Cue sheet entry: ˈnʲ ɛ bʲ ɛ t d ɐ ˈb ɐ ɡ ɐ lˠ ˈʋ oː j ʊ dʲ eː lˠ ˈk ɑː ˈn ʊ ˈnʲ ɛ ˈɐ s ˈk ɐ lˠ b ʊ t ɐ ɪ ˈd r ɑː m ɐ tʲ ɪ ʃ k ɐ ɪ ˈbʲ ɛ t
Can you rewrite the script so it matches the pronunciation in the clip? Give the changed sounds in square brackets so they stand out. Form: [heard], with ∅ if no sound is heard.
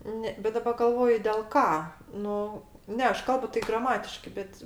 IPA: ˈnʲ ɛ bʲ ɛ t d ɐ ˈb ɐ ɡ ɐ lˠ ˈʋ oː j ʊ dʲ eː lˠ ˈk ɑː ˈn ʊ ˈnʲ ɛ ˈɐ [ʃ] ˈk ɐ lˠ b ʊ t ɐ ɪ [ˈɡ] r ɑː m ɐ tʲ ɪ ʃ k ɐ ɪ ˈbʲ ɛ t